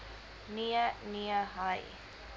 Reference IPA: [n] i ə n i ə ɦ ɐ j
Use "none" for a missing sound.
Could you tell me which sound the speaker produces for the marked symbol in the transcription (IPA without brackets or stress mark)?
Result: n